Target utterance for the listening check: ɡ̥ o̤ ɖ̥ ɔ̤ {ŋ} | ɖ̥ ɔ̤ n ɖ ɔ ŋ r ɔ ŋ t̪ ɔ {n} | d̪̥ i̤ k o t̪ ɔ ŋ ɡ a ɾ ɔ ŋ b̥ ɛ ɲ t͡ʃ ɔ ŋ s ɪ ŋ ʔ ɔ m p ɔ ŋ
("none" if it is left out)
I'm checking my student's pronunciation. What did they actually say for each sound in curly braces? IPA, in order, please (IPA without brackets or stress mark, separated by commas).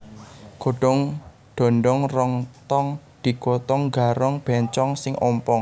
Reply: ŋ, ŋ